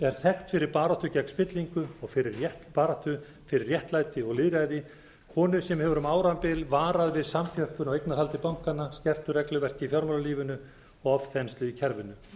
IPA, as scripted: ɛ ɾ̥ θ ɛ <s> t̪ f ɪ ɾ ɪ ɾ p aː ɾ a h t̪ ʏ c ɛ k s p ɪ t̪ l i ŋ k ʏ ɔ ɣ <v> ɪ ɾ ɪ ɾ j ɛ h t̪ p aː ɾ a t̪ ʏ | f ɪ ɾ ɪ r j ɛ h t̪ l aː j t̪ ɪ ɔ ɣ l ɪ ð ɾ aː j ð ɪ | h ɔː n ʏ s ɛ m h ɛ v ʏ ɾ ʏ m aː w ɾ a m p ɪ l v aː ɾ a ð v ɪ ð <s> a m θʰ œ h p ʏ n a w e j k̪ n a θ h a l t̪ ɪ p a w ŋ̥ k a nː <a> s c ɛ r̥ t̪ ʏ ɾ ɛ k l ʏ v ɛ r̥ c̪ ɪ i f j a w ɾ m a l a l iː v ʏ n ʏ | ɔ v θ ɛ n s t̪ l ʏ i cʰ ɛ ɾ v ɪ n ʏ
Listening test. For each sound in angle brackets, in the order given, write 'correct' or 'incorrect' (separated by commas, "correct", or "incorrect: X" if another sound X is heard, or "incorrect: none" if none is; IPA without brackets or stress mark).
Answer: incorrect: x, incorrect: f, correct, correct